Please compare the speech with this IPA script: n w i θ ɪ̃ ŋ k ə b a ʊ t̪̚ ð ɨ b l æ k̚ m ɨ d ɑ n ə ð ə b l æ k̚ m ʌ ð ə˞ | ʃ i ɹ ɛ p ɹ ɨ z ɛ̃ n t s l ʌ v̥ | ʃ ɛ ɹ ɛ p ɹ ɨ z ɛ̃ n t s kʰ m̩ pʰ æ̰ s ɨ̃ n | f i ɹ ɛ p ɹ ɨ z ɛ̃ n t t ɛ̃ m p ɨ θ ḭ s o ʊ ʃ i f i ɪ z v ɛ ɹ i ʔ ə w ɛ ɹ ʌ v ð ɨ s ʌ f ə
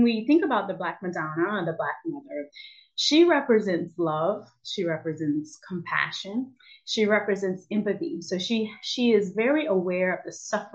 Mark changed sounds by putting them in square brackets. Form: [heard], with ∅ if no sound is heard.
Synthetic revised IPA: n w i θ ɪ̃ ŋ k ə b a ʊ t̪̚ ð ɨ b l æ k̚ m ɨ d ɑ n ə ð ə b l æ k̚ m ʌ ð ə˞ | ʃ i ɹ ɛ p ɹ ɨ z ɛ̃ n t s l ʌ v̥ | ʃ [i] ɹ ɛ p ɹ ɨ z ɛ̃ n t s kʰ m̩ pʰ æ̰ [ʃ] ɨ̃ n | [ʃ] i ɹ ɛ p ɹ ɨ z ɛ̃ n t [s] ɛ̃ m p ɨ θ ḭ s o ʊ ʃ i [ʃ] i ɪ z v ɛ ɹ i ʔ ə w ɛ ɹ ʌ v ð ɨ s ʌ f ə